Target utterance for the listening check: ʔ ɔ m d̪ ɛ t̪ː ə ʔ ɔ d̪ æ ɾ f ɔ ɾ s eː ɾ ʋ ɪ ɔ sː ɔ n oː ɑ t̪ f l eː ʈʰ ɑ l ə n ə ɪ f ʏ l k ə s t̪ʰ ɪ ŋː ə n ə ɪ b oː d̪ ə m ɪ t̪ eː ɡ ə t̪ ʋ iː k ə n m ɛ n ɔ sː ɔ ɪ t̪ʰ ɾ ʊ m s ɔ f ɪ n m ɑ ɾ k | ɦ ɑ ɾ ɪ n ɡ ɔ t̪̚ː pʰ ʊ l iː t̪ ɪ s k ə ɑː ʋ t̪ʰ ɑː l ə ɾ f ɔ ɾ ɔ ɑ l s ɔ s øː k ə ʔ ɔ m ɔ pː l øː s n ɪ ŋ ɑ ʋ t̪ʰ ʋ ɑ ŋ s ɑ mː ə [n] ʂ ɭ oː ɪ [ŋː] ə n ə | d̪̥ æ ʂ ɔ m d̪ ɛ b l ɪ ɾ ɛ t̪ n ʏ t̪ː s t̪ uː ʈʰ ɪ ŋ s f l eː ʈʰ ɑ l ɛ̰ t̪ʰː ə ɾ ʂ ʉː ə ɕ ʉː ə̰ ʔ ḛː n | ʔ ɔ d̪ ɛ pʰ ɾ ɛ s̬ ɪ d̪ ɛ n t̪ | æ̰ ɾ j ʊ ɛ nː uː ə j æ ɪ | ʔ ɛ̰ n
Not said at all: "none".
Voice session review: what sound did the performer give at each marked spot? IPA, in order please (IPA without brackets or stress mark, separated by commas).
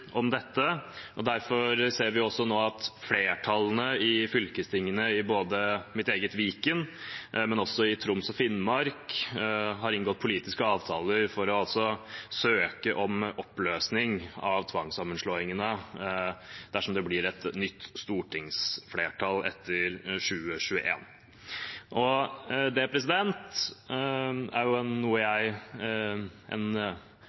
n, ŋ